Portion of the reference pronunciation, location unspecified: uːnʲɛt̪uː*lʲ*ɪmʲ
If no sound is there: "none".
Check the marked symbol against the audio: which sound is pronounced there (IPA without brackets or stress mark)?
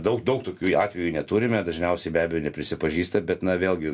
ɾʲ